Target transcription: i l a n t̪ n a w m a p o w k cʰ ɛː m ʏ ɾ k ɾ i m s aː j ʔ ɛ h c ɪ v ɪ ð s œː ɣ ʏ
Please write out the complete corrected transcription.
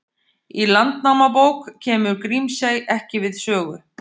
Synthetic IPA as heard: i l a n t̪ n a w m a p o w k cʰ ɛː m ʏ ɾ k ɾ i m s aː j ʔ ɛ h c ɪ v ɪ ð s œː ɣ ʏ